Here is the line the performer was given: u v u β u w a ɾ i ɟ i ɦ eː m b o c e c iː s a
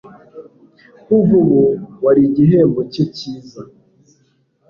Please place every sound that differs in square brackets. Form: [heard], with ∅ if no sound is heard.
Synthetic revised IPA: u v u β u w a ɾ i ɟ i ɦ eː m b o c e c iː [z] a